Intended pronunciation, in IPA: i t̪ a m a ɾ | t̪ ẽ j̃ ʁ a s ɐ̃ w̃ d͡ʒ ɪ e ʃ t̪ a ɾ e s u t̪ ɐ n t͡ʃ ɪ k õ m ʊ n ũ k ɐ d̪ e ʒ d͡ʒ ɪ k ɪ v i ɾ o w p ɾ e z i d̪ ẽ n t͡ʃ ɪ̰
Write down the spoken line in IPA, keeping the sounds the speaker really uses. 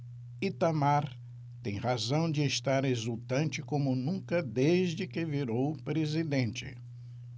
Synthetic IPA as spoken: i t̪ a m a ɾ | t̪ ẽ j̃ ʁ a z ɐ̃ w̃ d͡ʒ ɪ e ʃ t̪ a ɾ e z u t̪ ɐ̃ n t͡ʃ ɪ k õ m ʊ n ũ k ɐ d̪ e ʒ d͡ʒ ɪ k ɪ v i ɾ o w p ɾ e z i d̪ ẽ n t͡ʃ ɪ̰

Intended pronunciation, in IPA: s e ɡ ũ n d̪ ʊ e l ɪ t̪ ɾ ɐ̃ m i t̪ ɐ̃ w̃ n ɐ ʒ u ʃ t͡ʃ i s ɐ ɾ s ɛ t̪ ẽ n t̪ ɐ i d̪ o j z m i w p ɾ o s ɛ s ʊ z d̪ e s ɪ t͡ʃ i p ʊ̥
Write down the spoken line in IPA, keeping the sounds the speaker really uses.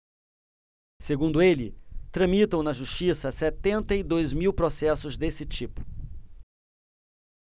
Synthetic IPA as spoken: s e ɡ ũ n d̪ ʊ e l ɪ t̪ ɾ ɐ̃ m i t̪ ɐ̃ w̃ n ɐ ʒ u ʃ t͡ʃ i s ɐ s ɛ t̪ ẽ n t̪ ɐ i d̪ o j z m i w p ɾ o s ɛ s ʊ z d̪ e s ɪ t͡ʃ i p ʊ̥

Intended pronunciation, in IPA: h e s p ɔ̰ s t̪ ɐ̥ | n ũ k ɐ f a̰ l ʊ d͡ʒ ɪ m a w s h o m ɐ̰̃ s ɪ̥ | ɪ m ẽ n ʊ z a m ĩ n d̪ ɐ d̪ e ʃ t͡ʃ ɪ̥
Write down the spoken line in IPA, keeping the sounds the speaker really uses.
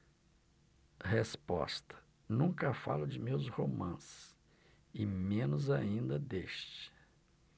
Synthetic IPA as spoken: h e s p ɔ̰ s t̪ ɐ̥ | n ũ k ɐ f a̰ l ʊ d͡ʒ ɪ m e w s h o m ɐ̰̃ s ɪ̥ | ɪ m ẽ n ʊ z a ĩ n d̪ ɐ d̪ e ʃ t͡ʃ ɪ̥

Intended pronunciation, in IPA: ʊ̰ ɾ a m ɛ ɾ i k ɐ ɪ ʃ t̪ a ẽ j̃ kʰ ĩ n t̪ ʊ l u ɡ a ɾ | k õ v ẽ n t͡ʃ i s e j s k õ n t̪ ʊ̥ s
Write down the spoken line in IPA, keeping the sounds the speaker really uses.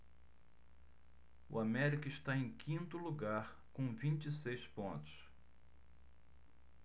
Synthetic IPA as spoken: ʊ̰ a m ɛ ɾ i k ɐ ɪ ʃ t̪ a ẽ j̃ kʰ ĩ n t̪ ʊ l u ɡ a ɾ | k õ v ĩ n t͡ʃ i s e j s p õ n t̪ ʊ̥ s

